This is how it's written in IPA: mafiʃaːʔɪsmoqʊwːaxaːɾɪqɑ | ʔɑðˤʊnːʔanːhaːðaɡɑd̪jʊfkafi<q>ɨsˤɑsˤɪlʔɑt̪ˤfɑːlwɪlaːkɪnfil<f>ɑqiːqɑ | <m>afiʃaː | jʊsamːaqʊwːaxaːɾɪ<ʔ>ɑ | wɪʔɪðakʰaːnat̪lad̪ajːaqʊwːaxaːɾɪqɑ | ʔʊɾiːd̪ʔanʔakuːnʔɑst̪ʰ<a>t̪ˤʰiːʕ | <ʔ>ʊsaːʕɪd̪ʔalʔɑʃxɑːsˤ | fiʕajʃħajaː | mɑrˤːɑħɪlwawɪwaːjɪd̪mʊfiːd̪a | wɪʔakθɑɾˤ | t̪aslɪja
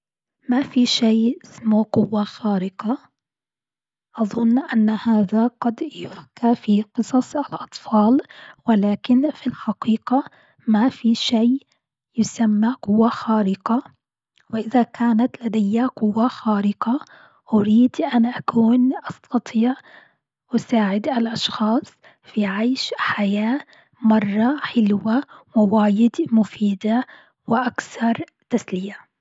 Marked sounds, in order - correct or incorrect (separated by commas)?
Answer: correct, incorrect, correct, incorrect, incorrect, correct